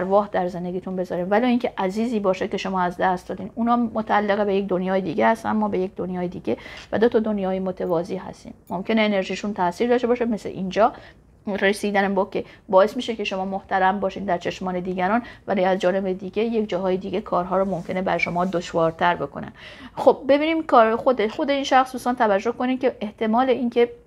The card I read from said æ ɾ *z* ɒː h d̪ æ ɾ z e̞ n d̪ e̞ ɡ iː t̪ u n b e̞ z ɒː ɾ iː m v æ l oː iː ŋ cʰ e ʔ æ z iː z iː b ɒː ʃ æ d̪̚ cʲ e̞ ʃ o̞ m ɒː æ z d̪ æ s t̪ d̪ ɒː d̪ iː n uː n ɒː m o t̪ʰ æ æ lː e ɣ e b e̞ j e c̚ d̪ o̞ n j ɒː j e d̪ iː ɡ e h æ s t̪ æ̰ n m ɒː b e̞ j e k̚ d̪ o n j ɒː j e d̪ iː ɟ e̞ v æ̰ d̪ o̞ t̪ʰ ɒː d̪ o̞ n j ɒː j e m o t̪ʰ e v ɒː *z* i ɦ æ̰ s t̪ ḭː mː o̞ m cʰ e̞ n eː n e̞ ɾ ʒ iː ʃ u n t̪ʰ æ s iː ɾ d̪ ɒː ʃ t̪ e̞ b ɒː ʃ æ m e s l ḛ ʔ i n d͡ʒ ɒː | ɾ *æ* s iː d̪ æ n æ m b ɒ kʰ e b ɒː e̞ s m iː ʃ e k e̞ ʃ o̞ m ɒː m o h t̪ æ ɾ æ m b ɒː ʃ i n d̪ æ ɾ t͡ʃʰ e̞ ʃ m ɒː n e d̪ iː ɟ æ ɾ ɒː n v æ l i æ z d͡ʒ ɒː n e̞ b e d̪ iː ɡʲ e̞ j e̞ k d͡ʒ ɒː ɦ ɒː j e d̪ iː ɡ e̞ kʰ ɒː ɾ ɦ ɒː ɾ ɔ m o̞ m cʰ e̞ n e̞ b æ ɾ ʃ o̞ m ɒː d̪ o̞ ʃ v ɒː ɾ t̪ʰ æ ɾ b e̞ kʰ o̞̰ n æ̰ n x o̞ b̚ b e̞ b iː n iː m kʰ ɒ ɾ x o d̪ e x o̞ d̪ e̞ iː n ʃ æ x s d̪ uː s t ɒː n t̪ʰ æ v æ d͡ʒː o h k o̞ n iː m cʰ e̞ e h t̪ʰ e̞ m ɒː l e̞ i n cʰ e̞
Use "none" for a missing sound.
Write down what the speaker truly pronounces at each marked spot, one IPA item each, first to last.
v, z, e

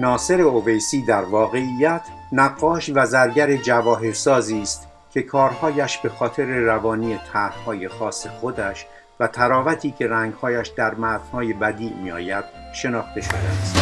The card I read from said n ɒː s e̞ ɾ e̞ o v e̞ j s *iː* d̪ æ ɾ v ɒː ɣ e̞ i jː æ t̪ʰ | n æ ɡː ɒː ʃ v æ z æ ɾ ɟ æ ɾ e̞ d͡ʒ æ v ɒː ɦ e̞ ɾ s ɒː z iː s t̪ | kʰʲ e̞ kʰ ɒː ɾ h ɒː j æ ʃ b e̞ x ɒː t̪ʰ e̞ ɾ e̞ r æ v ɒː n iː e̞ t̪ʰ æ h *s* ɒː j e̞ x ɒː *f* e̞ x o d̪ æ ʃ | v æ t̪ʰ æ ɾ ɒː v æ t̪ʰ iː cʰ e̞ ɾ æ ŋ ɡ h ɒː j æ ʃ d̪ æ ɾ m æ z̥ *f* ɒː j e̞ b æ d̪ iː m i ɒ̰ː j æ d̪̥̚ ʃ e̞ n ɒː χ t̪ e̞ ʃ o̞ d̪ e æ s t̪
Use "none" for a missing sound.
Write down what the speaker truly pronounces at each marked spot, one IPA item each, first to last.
iː, h, s, h

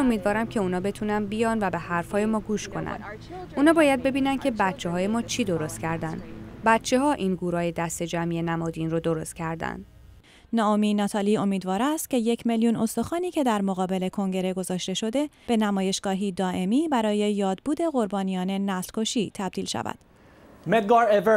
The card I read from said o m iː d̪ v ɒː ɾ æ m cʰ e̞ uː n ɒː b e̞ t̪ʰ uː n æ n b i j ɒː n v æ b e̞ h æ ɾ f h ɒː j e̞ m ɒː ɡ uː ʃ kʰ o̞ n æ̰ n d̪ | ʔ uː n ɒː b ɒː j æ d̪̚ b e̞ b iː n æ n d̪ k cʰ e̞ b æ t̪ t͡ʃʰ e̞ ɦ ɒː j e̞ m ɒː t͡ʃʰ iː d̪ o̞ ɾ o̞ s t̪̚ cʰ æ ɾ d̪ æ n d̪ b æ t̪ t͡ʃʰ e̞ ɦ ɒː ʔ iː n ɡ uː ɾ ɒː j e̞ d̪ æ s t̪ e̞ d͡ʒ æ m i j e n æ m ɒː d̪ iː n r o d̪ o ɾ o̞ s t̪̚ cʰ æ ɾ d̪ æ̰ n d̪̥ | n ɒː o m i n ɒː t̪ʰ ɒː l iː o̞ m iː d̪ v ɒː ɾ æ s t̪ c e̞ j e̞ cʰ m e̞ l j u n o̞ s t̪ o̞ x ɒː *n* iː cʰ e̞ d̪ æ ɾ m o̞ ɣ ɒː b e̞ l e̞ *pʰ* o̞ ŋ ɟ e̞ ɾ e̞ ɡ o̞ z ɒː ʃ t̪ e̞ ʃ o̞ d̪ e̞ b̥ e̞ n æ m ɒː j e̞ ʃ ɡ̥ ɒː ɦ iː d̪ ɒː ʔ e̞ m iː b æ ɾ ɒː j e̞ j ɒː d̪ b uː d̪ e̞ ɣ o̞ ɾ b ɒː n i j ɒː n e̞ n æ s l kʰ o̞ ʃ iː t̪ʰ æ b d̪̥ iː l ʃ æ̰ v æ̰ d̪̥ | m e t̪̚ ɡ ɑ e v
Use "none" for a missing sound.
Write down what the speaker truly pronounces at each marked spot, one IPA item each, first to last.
n, kʰ

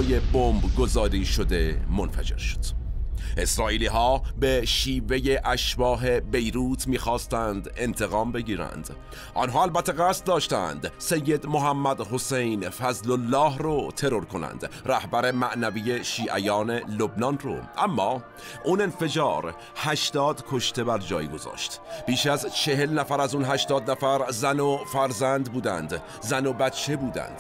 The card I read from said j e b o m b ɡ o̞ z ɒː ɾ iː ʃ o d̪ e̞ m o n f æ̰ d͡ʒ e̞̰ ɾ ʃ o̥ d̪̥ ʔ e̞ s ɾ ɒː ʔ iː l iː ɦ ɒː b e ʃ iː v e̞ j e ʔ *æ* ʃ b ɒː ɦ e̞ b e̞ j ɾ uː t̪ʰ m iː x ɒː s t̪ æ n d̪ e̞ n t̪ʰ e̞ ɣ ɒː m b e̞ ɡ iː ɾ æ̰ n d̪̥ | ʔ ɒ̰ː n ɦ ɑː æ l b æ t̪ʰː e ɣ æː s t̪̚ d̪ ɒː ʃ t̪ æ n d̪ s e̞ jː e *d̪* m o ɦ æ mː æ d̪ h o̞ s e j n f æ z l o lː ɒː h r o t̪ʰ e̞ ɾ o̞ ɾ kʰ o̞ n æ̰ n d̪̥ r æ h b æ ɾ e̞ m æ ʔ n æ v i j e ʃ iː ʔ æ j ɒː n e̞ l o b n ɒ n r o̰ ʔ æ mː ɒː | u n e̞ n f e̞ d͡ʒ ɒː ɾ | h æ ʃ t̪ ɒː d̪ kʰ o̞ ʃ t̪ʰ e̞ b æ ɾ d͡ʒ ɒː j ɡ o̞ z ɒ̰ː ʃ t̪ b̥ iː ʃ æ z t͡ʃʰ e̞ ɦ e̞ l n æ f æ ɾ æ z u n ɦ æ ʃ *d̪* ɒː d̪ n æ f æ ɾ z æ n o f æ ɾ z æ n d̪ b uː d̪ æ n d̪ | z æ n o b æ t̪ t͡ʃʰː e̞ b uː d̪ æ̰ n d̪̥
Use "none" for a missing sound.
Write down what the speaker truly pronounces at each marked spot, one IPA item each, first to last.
æ, d̪, t̪

